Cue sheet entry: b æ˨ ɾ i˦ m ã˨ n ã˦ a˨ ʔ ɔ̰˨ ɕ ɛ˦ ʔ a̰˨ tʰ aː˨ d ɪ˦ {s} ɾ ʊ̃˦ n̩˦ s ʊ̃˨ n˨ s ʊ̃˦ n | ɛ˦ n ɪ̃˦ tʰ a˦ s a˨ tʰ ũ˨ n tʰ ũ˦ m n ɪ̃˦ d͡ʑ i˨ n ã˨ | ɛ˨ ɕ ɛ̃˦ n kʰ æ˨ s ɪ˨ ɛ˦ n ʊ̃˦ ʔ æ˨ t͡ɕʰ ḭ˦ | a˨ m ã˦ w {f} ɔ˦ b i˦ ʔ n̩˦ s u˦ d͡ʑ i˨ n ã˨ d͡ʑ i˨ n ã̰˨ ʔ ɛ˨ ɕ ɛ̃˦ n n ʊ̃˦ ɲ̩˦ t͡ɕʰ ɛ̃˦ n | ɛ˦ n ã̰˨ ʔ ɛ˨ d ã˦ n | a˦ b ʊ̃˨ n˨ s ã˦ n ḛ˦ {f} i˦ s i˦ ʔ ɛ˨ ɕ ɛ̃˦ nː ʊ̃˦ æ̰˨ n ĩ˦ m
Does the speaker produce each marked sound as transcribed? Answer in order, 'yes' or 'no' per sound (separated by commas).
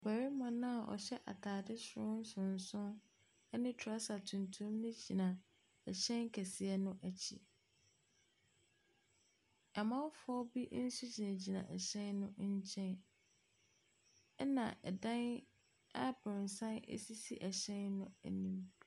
yes, yes, no